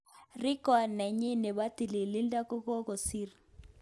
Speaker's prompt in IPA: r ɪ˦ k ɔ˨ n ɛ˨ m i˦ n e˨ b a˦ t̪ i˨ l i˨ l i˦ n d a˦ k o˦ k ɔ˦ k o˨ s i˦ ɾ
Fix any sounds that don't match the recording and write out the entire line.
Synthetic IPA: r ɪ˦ k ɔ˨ n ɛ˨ ɲ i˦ n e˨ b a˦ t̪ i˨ l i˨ l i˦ n d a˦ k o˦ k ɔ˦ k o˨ s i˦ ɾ